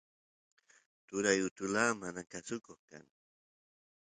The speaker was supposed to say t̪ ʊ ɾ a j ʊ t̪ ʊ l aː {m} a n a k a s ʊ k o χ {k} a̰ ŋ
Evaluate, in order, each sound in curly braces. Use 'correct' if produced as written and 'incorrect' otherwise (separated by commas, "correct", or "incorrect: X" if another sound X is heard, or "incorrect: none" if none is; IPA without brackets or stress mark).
correct, correct